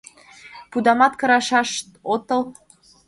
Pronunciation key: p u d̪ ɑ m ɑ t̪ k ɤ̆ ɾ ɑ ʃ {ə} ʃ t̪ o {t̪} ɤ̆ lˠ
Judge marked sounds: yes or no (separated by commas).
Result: no, yes